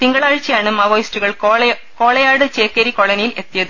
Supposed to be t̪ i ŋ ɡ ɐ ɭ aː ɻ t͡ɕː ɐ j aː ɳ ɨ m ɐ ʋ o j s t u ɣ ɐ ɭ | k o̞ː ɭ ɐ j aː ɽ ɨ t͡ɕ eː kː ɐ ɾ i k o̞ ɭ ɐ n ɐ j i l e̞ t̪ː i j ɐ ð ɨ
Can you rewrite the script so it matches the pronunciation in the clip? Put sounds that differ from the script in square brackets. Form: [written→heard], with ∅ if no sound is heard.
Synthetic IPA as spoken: t̪ i ŋ ɡ ɐ ɭ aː ɻ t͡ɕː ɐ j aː ɳ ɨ m ɐ ʋ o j s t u ɣ ɐ ɭ | k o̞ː ɭ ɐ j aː ɽ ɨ t͡ɕ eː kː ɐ ɾ i k o̞ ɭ ɐ n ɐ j i l e̞ t̪ː i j ɐ ð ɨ